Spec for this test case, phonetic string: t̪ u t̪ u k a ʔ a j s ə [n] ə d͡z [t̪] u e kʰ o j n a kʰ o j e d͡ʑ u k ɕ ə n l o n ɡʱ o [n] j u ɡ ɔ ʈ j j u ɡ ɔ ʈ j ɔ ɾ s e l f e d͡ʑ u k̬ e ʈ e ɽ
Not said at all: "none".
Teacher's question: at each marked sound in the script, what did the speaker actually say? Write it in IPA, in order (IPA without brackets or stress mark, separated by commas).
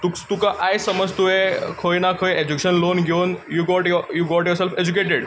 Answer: m, t̪, n